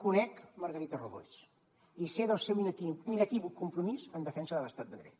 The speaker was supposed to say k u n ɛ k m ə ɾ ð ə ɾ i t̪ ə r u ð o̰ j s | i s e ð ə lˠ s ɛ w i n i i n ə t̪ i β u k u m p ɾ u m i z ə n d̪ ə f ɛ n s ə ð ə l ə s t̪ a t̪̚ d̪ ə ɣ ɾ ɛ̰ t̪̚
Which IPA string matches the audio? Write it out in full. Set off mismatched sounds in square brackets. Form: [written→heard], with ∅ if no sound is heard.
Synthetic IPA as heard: k u n ɛ k m ə ɾ [ð→ɣ] ə ɾ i t̪ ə r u ð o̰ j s | i s e ð ə lˠ s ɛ w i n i i n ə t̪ i β u k u m p ɾ u m i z ə n d̪ ə f ɛ n s ə ð ə l ə s t̪ a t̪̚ d̪ ə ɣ ɾ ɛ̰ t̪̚